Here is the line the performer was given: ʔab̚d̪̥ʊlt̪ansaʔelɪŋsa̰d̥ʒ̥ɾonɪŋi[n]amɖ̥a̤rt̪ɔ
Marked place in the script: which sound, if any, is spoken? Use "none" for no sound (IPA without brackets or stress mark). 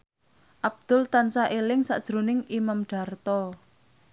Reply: m